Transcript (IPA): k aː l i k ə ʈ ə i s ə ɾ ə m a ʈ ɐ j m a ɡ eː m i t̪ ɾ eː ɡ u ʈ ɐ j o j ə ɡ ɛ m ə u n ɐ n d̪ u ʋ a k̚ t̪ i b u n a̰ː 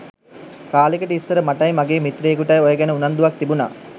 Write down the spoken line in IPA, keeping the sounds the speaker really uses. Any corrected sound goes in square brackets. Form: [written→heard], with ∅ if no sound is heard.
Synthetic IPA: k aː l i k ə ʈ ə i [s→sː] ə ɾ ə m a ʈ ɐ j m a ɡ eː m i t̪ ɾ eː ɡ u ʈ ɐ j o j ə ɡ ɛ [m→n] ə u n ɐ n d̪ u ʋ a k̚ t̪ i b u n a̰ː